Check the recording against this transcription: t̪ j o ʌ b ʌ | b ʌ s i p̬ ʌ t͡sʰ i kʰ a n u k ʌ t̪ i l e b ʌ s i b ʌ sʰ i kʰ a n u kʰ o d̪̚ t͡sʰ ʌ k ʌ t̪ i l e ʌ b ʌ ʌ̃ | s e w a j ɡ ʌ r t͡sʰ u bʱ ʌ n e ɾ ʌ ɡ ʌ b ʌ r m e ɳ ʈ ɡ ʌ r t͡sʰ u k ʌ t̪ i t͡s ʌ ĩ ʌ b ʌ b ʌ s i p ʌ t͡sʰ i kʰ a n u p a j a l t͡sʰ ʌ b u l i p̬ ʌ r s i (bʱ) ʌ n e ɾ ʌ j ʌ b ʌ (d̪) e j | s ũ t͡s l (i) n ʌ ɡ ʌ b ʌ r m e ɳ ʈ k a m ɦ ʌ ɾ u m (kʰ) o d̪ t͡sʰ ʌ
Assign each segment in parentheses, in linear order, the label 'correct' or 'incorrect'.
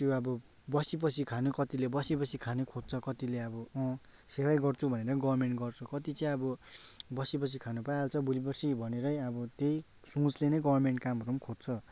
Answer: correct, incorrect, incorrect, correct

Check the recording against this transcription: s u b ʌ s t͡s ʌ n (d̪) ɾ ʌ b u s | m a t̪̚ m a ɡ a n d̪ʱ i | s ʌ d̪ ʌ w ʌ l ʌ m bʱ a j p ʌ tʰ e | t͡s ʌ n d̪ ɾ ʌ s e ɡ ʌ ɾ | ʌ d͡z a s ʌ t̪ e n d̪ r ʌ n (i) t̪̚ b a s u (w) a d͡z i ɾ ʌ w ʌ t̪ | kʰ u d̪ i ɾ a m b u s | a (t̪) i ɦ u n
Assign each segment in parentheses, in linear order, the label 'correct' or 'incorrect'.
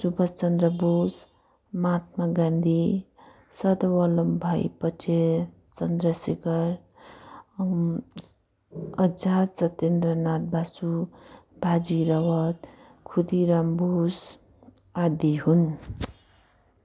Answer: correct, incorrect, incorrect, incorrect

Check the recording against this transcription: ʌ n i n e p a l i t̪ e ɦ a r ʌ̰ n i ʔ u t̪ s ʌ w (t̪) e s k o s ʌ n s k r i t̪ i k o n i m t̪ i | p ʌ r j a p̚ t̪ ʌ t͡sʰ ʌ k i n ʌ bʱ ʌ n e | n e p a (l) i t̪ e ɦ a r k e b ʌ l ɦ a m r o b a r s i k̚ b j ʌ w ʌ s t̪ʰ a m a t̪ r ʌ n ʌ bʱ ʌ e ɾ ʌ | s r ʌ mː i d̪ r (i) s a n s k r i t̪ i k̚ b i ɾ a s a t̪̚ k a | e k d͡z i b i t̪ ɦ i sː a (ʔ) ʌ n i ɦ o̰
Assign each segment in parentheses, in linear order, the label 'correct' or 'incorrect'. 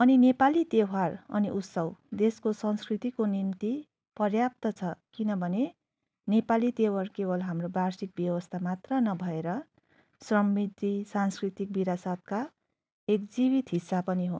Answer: incorrect, correct, correct, incorrect

